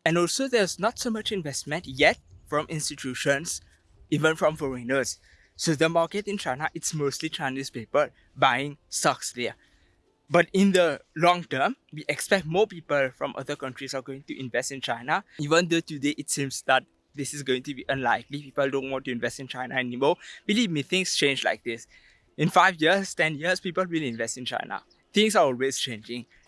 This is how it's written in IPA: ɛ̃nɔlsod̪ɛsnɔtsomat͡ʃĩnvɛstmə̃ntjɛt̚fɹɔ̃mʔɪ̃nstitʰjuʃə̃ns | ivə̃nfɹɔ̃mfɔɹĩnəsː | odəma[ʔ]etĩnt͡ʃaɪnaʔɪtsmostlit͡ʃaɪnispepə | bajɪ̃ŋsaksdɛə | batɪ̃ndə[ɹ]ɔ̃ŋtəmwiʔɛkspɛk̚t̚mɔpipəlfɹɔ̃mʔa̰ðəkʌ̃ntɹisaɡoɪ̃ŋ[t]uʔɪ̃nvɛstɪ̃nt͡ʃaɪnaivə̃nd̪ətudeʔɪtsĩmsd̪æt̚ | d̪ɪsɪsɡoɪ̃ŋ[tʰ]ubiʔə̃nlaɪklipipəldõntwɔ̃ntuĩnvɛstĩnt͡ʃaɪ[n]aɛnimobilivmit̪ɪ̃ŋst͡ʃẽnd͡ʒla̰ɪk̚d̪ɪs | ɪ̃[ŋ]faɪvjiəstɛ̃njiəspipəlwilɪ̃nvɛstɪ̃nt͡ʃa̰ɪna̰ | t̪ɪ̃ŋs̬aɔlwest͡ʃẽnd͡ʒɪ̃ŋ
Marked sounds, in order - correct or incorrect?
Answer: incorrect: k, incorrect: l, correct, incorrect: t, correct, incorrect: n

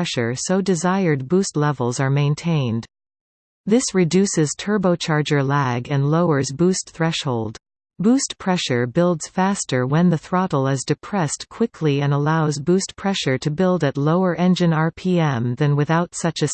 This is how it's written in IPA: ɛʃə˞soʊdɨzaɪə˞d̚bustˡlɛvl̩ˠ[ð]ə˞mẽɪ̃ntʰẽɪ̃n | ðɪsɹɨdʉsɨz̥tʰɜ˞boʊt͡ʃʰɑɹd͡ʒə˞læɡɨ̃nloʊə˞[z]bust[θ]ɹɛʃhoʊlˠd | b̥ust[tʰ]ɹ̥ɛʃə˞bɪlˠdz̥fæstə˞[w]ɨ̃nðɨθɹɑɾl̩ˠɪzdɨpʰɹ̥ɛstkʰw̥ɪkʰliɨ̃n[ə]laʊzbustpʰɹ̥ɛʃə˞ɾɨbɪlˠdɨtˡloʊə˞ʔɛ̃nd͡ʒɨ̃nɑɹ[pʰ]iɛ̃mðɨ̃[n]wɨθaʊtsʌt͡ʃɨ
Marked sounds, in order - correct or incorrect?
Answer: incorrect: z, correct, correct, incorrect: pʰ, correct, correct, correct, correct

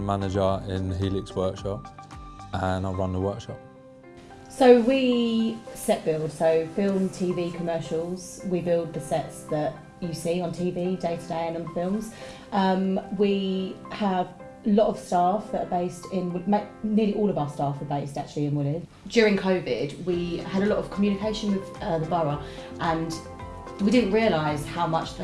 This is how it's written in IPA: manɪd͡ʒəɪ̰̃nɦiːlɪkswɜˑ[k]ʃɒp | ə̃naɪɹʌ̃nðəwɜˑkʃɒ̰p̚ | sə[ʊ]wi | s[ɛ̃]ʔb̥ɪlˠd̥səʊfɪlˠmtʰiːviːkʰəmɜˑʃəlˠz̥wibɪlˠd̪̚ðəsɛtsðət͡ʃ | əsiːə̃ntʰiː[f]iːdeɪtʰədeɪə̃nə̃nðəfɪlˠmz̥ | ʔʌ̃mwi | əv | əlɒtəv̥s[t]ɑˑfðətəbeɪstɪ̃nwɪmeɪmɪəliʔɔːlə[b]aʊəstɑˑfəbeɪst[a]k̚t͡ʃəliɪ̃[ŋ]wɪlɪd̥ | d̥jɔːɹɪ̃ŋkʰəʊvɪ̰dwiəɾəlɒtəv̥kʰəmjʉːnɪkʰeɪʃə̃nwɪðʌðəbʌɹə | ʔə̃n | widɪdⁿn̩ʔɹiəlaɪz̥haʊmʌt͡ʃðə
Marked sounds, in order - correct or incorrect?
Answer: correct, correct, incorrect: ɛ, incorrect: v, correct, incorrect: v, correct, incorrect: n

